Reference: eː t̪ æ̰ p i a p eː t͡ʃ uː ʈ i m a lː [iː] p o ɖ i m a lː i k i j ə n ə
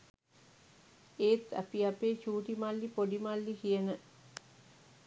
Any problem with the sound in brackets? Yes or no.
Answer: yes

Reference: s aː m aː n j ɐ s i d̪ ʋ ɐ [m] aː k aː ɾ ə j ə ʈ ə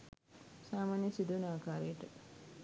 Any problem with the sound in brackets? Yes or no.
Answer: yes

